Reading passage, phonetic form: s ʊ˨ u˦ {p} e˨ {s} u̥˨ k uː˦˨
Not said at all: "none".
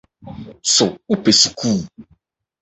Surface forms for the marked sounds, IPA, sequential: p, s

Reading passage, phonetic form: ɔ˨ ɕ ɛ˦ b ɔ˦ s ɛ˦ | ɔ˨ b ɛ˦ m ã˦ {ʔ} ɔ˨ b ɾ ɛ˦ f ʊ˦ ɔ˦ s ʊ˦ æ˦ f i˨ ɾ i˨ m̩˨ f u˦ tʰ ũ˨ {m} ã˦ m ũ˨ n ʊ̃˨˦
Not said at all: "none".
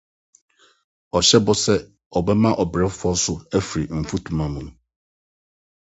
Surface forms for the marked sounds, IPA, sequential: ʔ, m

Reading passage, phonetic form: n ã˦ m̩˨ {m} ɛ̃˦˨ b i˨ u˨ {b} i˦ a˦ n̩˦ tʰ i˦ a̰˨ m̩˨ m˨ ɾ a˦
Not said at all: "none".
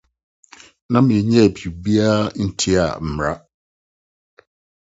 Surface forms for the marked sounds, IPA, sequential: ɲ, b

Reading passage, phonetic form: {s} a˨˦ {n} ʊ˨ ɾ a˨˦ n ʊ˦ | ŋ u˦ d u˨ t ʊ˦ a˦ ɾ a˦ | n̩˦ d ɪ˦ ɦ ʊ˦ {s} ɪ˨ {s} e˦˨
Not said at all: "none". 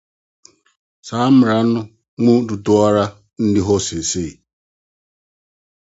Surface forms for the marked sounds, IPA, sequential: s, m, s, s

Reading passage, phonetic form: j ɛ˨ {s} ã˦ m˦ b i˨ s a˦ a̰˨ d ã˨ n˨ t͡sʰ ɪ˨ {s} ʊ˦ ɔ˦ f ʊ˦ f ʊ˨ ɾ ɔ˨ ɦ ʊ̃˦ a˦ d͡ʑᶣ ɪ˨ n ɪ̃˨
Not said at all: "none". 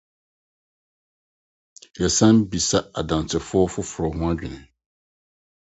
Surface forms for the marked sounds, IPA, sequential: s, f

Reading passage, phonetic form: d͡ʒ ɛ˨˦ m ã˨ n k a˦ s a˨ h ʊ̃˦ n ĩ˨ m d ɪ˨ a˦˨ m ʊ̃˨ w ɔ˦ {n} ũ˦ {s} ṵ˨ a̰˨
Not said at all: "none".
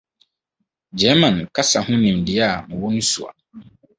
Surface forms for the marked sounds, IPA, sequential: n, s

